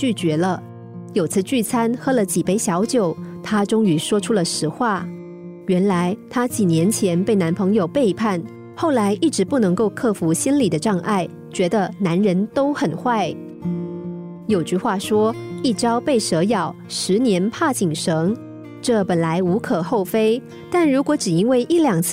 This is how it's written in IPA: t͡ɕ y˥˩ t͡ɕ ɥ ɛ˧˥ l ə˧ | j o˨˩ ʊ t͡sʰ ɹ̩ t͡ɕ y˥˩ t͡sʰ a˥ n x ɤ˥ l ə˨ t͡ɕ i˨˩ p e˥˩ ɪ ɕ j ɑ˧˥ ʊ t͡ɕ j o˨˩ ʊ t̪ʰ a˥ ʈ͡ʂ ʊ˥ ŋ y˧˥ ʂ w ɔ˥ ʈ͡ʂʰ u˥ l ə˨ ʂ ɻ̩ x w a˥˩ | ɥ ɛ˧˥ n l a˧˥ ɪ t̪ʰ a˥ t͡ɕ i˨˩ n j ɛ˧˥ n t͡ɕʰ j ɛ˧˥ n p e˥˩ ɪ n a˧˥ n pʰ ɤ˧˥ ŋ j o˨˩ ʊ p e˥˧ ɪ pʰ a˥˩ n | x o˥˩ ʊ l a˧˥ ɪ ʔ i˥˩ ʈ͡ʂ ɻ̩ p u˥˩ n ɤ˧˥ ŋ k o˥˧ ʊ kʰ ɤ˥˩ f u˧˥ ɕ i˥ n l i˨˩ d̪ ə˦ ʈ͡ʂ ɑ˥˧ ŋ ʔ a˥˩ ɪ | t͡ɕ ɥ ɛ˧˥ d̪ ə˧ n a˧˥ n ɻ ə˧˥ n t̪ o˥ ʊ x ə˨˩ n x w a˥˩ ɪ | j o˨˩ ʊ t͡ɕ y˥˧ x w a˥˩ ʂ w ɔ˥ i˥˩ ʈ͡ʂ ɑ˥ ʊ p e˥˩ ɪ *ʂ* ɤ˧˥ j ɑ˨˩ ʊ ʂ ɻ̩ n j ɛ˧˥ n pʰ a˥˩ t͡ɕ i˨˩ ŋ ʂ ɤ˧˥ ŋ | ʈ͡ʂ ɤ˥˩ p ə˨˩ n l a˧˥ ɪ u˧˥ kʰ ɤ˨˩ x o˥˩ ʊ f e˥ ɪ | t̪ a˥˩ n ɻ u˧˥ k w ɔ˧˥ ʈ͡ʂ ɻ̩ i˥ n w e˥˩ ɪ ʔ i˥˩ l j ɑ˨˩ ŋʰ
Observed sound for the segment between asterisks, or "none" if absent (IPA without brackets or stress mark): ʂ